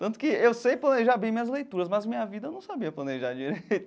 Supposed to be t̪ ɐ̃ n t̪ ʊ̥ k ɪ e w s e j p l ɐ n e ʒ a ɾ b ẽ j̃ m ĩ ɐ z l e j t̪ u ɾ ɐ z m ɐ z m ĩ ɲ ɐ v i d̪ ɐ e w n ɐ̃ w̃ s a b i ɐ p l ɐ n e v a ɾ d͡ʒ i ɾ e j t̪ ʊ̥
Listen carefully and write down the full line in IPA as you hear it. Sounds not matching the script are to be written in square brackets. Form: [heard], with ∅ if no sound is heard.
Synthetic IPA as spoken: t̪ ɐ̃ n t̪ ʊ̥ k ɪ e w s e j p l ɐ n e ʒ a ɾ b ẽ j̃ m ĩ ɐ z l e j t̪ u ɾ ɐ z m ɐ z m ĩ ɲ ɐ v i d̪ ɐ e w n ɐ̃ w̃ s a b i ɐ p l ɐ n e [ʒ] a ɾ d͡ʒ i ɾ e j t̪ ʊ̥